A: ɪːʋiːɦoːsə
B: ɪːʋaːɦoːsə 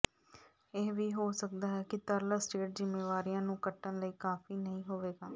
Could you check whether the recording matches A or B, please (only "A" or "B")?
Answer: A